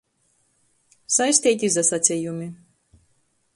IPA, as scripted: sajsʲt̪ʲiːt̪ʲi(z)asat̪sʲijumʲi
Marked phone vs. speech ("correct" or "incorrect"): correct